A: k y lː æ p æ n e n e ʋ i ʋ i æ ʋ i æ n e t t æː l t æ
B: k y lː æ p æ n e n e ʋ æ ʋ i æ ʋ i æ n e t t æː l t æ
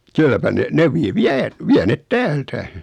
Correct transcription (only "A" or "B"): A